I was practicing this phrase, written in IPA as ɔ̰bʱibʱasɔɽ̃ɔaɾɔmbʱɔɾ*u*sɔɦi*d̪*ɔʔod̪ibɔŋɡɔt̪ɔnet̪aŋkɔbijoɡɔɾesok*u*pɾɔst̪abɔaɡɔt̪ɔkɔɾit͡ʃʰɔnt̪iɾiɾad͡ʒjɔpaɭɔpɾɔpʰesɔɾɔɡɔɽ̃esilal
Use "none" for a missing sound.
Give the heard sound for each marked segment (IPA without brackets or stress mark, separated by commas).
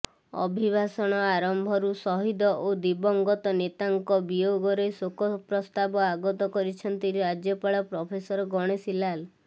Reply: u, d̪, ɔ